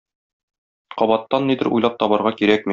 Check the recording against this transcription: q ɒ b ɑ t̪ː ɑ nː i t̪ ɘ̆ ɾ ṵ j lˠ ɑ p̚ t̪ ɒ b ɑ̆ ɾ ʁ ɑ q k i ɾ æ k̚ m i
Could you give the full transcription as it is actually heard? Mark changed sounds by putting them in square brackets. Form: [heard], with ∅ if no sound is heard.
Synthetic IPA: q ɒ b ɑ t̪ː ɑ nː i [d̪] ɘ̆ ɾ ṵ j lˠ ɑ p̚ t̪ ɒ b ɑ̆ ɾ ʁ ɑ [∅] k i ɾ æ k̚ m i